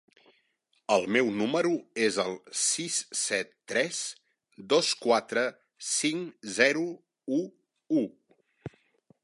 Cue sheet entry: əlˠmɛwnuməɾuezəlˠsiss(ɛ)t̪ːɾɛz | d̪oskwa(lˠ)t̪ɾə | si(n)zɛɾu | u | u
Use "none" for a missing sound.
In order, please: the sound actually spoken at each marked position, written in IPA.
ɛ, none, ŋ

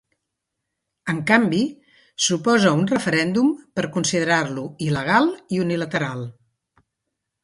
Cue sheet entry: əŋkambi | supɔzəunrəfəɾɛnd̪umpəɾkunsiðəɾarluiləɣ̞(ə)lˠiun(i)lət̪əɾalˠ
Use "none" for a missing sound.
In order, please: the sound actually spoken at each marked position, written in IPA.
a, i

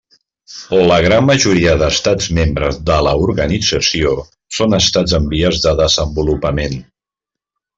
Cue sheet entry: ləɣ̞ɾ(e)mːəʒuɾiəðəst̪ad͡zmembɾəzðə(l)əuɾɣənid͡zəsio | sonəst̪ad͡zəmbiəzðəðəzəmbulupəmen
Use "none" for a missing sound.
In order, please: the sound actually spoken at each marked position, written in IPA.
a, l

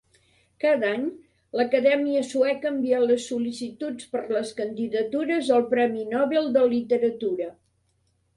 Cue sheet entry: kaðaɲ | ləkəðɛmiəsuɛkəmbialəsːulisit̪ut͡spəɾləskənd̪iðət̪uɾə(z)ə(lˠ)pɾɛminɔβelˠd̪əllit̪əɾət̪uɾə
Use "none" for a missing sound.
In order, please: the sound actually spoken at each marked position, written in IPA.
z, lˠ

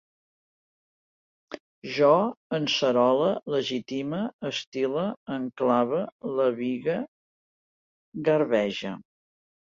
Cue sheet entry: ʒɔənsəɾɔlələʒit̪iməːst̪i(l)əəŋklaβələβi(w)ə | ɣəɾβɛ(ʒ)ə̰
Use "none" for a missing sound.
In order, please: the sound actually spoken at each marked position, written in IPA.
l, ɣ, ʒ

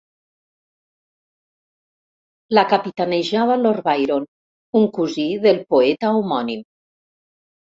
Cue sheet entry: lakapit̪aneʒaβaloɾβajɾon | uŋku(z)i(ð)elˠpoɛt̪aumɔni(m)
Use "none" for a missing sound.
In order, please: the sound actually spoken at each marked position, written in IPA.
z, ð, m

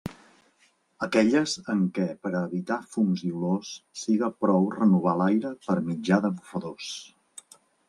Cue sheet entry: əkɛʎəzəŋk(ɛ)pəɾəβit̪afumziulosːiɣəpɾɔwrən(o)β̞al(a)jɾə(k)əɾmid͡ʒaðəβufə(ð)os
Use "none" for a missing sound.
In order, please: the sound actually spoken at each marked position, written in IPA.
ɛ, u, a, p, ð

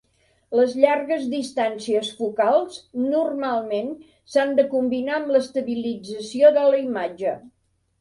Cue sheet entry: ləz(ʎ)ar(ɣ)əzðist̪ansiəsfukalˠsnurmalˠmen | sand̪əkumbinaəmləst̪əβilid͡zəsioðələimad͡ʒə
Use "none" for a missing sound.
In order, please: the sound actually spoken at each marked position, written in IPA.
ʎ, ɣ

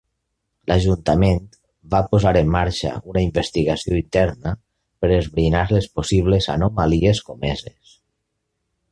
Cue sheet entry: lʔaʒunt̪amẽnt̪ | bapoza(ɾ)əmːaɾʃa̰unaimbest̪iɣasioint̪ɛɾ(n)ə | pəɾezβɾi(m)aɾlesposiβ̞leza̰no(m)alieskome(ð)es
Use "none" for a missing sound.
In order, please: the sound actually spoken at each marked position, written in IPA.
ɾ, n, n, m, z

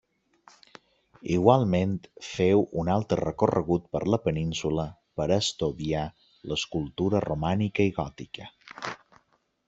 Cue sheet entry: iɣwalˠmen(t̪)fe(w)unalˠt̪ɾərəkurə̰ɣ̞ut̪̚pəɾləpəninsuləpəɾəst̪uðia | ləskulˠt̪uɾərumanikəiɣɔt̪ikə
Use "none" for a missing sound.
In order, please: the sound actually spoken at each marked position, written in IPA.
t̪, w

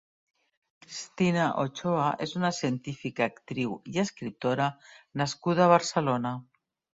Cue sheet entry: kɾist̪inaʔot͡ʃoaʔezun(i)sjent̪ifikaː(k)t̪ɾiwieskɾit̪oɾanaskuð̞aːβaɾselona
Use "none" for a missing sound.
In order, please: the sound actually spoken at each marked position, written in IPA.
a, k

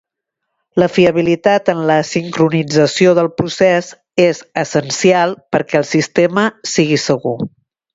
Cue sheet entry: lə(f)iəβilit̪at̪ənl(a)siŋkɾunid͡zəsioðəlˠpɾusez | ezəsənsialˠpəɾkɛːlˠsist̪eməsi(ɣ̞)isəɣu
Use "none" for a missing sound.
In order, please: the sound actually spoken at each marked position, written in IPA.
f, ə, ɣ̞

